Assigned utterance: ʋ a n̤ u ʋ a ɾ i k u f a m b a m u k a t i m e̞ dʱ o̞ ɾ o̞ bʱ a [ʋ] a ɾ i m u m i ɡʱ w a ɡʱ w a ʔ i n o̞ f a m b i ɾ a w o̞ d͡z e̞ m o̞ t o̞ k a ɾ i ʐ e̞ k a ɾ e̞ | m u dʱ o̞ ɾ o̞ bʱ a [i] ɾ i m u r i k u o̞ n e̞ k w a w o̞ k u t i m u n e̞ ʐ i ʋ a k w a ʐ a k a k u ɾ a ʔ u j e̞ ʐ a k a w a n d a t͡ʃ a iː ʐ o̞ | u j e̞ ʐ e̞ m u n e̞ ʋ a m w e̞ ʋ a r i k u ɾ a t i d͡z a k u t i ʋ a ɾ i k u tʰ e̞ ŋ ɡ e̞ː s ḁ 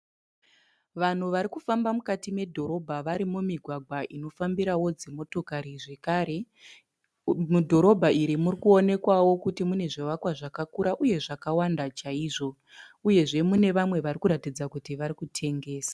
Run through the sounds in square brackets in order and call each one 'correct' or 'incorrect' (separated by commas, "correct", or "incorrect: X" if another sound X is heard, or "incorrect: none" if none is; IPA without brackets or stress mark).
correct, correct